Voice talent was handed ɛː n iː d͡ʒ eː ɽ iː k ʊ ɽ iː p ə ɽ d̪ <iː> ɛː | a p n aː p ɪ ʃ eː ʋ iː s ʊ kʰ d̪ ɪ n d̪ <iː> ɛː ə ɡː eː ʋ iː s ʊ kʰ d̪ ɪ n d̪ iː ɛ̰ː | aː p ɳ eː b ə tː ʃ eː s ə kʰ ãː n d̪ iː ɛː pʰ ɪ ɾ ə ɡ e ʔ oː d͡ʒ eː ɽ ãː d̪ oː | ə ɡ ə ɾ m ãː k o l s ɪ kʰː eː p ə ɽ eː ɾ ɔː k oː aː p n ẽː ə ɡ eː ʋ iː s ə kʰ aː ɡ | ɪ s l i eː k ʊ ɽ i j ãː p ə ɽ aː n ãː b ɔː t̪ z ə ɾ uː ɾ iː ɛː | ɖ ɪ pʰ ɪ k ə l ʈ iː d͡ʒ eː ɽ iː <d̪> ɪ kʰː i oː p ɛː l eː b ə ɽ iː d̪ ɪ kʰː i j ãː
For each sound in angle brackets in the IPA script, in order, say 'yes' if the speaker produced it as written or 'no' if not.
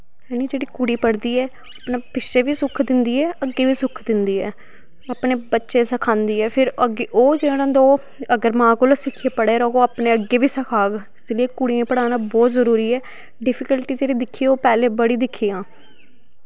yes, yes, yes

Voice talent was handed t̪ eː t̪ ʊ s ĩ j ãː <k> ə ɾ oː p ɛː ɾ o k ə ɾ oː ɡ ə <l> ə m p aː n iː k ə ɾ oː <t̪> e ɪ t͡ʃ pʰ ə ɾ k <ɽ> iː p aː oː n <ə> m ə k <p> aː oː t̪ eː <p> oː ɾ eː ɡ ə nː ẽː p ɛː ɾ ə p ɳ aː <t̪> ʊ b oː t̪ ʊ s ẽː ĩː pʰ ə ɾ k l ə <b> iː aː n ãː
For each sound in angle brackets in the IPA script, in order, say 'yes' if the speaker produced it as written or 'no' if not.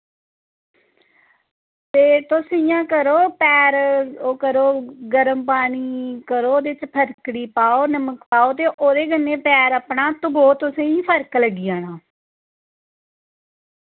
yes, no, no, yes, yes, yes, no, yes, no

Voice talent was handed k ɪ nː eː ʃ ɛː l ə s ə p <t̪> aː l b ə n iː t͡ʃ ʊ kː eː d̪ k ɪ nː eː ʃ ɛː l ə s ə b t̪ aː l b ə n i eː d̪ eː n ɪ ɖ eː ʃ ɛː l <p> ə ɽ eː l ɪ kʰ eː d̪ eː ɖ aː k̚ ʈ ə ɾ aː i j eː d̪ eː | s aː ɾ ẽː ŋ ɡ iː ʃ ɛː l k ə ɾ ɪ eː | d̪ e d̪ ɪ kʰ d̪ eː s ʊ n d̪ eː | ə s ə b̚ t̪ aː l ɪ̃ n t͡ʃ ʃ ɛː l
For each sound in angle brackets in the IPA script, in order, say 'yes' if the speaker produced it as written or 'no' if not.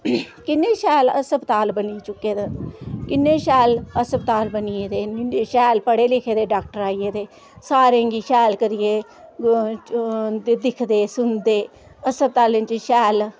yes, yes

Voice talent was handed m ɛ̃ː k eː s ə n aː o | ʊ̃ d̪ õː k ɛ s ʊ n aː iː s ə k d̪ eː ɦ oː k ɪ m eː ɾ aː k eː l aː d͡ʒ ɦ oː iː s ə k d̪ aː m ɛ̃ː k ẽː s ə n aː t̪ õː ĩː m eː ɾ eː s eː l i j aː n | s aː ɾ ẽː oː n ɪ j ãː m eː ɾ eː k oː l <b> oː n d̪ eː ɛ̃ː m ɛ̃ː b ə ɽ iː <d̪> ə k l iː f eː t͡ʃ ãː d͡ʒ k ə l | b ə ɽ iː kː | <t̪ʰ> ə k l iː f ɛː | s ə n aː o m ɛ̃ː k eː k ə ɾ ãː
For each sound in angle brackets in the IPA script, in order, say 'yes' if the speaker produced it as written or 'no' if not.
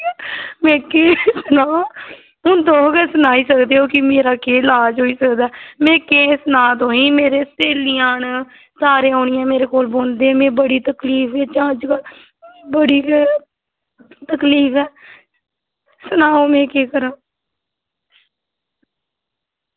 yes, no, no

